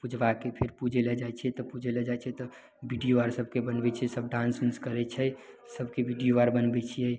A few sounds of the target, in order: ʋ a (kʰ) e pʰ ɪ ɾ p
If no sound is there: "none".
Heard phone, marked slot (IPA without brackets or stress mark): k